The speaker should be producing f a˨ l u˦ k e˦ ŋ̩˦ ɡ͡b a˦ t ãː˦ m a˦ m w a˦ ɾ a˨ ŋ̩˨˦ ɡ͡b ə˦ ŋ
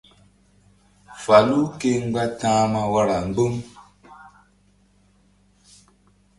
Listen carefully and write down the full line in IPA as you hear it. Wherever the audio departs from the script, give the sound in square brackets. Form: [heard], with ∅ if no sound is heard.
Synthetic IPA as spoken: f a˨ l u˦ k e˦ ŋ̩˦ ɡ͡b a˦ t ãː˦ m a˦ [∅] w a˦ ɾ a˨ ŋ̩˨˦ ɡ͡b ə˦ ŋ